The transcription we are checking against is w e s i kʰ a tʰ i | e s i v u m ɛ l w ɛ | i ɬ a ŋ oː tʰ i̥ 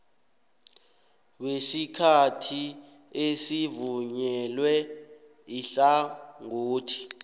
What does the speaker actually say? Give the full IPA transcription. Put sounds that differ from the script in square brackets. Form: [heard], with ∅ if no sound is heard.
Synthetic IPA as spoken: w e s i kʰ a tʰ i | e s i v u [ɲ] ɛ l w ɛ | i ɬ a ŋ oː tʰ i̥

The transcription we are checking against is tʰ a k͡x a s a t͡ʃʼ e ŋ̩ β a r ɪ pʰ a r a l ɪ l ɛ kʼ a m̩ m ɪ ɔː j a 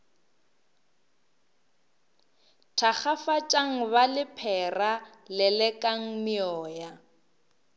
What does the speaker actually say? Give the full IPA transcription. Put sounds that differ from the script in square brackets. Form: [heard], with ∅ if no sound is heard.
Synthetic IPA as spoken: tʰ a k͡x a [f] a t͡ʃʼ [a] ŋ̩ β a [l] ɪ pʰ [ɛ] r a l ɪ l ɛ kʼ a [ŋ̩] m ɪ ɔː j a

